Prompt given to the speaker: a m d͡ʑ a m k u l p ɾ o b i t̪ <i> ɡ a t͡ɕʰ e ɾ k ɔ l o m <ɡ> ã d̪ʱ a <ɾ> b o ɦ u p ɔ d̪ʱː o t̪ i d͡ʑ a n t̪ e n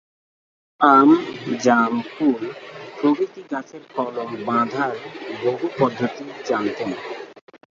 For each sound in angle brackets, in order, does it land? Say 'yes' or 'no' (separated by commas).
yes, no, yes